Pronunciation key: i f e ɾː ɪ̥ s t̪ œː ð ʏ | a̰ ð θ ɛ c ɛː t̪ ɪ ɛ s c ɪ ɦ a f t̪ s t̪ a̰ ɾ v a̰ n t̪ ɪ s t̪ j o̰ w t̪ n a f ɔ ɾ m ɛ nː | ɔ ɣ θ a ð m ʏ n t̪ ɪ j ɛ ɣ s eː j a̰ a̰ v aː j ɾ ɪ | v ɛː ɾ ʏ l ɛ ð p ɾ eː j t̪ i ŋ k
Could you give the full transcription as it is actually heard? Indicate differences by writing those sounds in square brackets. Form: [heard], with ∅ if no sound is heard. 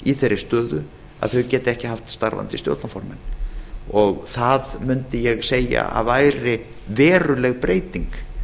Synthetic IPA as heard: i [θ] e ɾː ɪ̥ s t̪ œː ð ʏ | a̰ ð θ [œ] c ɛː t̪ ɪ ɛ [h] c ɪ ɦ a f t̪ s t̪ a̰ ɾ v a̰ n t̪ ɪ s t̪ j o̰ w t̪ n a f ɔ ɾ m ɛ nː | ɔ ɣ θ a ð m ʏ n t̪ ɪ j ɛ ɣ s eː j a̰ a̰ v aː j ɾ ɪ | v ɛː ɾ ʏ l ɛ [ɣ] p ɾ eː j t̪ i ŋ k